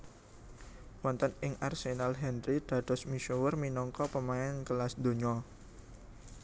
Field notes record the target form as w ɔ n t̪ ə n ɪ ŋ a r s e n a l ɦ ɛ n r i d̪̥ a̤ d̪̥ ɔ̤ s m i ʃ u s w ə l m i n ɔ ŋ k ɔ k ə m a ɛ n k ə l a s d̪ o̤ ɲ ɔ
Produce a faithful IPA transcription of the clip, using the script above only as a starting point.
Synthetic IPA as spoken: w ɔ n t̪ ə n ɪ ŋ a r s e n a l ɦ ɛ n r i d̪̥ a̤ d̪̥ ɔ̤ s m i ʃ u w ə r m i n ɔ ŋ k ɔ p ə m a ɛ n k ə l a s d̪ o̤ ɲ ɔ